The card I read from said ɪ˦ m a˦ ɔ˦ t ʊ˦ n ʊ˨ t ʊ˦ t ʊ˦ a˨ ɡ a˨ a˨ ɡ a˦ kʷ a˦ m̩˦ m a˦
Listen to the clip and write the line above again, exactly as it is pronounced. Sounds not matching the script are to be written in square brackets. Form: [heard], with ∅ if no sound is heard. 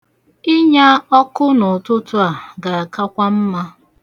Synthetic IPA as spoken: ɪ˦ [ɲ] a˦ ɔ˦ [k] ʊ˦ n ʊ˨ t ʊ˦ t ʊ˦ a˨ ɡ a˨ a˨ [k] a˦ kʷ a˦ m̩˦ m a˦